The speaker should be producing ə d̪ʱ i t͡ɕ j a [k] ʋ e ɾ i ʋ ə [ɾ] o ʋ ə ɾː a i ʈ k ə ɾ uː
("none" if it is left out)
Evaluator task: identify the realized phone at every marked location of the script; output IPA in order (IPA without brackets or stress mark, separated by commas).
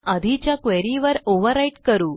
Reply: k, ɾ